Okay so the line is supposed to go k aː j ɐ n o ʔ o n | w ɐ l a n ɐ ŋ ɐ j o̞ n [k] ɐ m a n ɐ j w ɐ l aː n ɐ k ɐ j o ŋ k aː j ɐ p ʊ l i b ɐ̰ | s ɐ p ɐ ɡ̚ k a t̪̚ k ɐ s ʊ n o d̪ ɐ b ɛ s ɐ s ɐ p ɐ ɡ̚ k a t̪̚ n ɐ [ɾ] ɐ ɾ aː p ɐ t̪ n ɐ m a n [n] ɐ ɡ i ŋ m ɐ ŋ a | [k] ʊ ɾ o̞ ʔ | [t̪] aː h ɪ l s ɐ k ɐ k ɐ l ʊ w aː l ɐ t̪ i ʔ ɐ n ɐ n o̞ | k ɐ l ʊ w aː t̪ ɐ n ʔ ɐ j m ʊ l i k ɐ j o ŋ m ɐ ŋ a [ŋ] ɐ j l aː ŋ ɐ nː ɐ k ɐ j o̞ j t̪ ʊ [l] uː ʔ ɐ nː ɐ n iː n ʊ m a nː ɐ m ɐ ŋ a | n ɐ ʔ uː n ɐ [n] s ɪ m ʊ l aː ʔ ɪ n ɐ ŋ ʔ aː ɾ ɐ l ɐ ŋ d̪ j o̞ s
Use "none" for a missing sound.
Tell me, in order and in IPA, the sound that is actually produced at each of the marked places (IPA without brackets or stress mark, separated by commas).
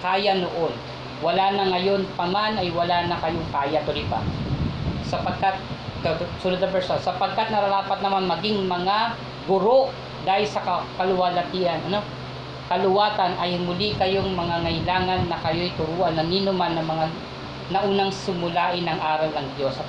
p, ɾ, m, ɡ, d̪, ŋ, ɾ, ŋ